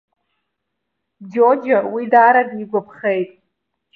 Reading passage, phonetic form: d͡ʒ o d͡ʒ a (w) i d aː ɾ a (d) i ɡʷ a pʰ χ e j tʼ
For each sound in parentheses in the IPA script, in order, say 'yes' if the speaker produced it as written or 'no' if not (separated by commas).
yes, yes